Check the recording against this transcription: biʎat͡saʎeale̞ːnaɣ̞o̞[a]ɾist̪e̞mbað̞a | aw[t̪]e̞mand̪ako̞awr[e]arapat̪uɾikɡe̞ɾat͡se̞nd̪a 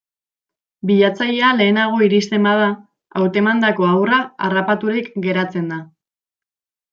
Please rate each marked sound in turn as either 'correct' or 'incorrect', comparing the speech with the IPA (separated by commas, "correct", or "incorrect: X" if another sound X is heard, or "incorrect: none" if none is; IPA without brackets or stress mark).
incorrect: i, correct, incorrect: a